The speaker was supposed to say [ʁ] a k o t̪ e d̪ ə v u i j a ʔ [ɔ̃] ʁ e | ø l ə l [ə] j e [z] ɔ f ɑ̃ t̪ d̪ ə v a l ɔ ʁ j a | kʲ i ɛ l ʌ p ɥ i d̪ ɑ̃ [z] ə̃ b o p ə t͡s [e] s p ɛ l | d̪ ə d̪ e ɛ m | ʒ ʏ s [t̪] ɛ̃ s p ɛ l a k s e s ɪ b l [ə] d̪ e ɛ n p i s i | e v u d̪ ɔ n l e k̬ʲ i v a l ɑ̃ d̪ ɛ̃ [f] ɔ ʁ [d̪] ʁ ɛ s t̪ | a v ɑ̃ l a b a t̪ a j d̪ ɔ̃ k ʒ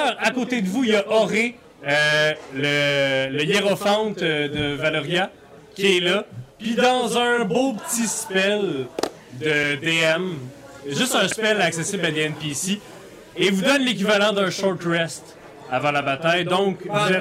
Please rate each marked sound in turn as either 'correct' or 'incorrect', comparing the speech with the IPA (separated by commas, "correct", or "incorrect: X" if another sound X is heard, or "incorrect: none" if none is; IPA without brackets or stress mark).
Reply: correct, incorrect: ɔ, correct, incorrect: ʁ, correct, incorrect: i, correct, incorrect: a, incorrect: ʃ, incorrect: t̪